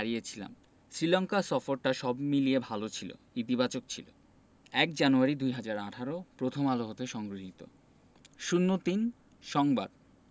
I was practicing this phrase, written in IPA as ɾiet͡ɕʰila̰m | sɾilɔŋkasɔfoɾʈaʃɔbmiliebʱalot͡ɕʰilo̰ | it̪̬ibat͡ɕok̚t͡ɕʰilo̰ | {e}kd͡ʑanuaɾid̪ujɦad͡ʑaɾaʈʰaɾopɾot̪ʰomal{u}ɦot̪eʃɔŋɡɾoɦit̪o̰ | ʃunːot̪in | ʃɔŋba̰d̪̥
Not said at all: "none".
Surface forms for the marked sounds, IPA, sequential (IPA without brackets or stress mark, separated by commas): ɛ, o